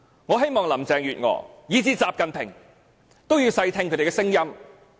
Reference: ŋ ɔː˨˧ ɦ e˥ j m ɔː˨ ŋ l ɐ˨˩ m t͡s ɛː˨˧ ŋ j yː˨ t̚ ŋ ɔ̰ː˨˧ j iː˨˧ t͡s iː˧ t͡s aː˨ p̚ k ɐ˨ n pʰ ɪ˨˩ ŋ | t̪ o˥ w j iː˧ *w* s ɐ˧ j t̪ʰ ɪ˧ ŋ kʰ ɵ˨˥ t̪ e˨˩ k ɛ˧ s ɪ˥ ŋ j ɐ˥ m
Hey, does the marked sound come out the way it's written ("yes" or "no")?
yes